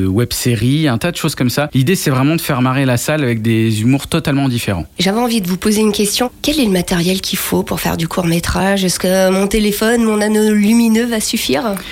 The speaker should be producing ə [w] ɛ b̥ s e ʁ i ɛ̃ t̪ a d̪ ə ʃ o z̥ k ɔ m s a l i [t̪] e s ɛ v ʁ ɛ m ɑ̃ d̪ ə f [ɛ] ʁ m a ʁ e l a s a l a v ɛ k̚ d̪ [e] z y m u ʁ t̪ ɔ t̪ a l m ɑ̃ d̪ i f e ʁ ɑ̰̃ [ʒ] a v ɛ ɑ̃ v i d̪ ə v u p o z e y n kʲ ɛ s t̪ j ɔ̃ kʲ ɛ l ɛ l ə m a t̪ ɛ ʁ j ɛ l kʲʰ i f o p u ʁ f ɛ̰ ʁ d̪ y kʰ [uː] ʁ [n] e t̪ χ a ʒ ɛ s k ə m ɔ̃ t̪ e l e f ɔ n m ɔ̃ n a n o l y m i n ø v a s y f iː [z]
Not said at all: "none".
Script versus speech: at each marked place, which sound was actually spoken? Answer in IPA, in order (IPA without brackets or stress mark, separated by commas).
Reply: w, d̪, ɛ, e, ʒ, u, m, ʁ